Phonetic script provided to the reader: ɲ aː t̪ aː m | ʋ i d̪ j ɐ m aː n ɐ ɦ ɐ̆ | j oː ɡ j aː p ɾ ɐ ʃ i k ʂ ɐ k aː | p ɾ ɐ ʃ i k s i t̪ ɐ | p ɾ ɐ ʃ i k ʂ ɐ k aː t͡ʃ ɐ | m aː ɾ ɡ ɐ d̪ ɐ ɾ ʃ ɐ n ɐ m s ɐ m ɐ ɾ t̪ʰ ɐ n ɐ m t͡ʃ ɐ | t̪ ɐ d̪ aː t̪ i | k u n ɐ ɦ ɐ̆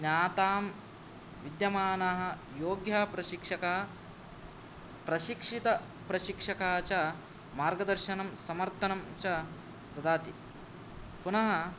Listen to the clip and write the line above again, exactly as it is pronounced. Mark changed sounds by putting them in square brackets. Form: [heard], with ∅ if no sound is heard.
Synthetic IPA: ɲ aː t̪ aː m | ʋ i d̪ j ɐ m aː n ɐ ɦ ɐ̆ | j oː ɡ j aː p ɾ ɐ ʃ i k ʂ ɐ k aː | p ɾ ɐ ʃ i k [ʂ] i t̪ ɐ | p ɾ ɐ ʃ i k ʂ ɐ k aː t͡ʃ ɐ | m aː ɾ ɡ ɐ d̪ ɐ ɾ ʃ ɐ n ɐ m s ɐ m ɐ ɾ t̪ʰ ɐ n ɐ m t͡ʃ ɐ | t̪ ɐ d̪ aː t̪ i | [p] u n ɐ ɦ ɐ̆